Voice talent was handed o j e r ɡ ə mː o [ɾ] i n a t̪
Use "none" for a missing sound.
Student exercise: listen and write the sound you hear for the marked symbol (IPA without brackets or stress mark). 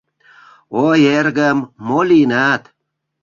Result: l